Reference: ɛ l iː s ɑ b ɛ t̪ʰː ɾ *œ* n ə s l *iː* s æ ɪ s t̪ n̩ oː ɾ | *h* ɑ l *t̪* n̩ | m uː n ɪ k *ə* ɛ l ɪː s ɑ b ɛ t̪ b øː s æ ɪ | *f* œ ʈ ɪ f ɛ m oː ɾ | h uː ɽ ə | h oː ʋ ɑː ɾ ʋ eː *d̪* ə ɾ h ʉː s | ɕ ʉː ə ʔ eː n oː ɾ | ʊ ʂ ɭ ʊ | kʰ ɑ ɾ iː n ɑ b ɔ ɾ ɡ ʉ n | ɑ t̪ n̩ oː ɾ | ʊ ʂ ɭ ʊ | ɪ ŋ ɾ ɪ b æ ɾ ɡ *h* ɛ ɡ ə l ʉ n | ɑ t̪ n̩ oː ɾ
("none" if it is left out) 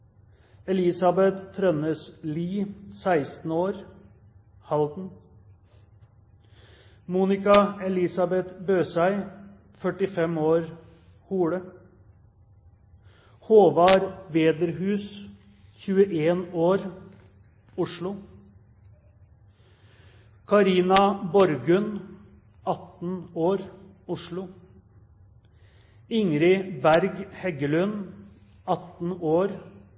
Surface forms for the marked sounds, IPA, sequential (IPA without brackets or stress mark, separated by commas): œ, iː, h, d̪, ɑ, f, d̪, h